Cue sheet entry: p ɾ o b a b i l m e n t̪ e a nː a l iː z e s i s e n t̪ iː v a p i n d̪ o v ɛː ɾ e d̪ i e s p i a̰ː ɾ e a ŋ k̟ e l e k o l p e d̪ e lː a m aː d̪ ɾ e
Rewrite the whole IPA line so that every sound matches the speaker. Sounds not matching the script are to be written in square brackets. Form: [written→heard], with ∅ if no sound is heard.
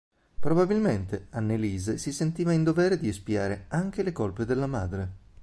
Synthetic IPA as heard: p ɾ o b a b i l m e n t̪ e a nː [a→e] l iː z e s i s e n t̪ iː v a [p→∅] i n d̪ o v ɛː ɾ e d̪ i e s p i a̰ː ɾ e a ŋ k̟ e l e k o l p e d̪ e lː a m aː d̪ ɾ e